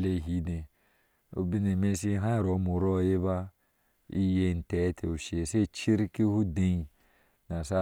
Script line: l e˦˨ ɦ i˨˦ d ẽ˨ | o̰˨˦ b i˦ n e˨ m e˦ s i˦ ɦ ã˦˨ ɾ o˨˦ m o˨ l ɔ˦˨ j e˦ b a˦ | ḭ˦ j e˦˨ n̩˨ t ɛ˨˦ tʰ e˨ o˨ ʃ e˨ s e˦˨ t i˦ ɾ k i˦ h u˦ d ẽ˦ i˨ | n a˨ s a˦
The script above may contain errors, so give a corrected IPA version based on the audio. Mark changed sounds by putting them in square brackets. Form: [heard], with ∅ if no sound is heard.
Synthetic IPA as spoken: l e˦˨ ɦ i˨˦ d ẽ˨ | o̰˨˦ b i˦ n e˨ m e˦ s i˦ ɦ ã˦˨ ɾ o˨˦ m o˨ [ɾ] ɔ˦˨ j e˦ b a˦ | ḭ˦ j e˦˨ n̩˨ t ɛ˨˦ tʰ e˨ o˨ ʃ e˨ s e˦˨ [t͡ʃ] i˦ ɾ k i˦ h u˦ d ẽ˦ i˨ | n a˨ s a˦